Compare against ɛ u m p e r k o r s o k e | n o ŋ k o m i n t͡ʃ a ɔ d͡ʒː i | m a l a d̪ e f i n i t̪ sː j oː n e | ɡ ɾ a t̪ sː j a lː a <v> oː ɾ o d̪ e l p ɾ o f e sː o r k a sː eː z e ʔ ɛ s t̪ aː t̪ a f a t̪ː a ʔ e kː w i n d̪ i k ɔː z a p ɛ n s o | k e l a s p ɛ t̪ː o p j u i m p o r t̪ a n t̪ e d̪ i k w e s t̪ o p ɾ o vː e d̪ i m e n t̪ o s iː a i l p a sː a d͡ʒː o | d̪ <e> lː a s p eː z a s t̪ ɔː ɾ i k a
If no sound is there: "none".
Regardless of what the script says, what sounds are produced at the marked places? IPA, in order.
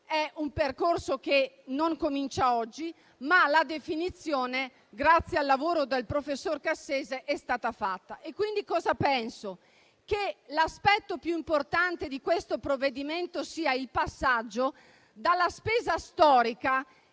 v, a

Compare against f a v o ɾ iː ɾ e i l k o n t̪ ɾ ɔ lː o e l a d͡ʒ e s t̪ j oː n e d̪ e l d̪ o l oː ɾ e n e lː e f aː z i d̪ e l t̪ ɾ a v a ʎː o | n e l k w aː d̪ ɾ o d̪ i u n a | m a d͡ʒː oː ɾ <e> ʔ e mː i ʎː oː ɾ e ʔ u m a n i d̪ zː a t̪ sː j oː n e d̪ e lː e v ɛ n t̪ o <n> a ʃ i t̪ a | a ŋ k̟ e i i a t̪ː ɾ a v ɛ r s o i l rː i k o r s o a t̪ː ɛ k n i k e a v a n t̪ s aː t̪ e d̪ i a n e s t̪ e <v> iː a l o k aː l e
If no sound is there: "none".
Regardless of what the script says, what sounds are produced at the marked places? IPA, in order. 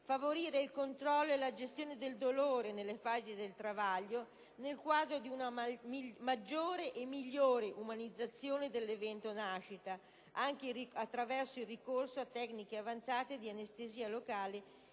e, n, z

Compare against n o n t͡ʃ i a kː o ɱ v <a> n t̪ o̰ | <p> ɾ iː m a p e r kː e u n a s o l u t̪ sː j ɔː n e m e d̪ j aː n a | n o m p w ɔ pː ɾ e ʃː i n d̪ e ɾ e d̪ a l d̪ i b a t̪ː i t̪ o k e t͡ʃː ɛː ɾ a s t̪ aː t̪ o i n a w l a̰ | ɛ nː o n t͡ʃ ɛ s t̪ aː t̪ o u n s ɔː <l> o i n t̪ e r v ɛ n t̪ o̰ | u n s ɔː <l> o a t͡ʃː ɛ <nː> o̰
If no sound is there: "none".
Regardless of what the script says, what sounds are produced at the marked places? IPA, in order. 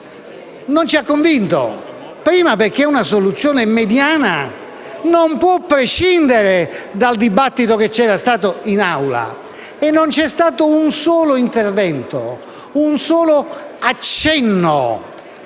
i, p, l, l, nː

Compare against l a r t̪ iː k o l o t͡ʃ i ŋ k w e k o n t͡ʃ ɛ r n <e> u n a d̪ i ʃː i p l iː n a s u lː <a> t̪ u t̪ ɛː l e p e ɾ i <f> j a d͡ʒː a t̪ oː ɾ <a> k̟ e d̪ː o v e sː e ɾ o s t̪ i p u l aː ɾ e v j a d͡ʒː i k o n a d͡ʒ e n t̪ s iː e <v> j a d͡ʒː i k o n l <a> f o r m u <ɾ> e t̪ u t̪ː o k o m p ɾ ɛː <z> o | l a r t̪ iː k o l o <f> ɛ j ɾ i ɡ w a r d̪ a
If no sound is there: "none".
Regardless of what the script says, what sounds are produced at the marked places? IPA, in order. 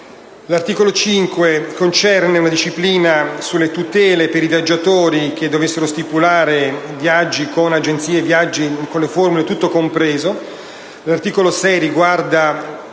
e, e, v, i, v, e, l, z, s

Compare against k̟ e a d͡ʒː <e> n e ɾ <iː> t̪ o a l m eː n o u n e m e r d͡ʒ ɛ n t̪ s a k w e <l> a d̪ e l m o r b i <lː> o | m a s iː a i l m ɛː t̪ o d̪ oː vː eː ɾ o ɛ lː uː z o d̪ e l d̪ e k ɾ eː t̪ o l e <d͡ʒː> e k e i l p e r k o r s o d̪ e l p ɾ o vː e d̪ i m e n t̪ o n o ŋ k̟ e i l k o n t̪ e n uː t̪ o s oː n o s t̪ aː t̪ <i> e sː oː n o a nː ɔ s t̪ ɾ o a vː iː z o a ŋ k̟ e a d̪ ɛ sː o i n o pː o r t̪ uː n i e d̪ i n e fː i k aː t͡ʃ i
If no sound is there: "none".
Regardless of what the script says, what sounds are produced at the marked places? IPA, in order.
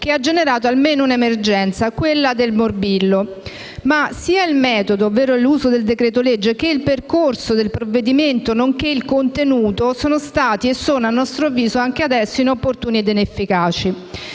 e, aː, lː, lː, d͡ʒː, i

